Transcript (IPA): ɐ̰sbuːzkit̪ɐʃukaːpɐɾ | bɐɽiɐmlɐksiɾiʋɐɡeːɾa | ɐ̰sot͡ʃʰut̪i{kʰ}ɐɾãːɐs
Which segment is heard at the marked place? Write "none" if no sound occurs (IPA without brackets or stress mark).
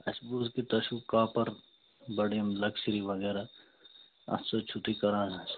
k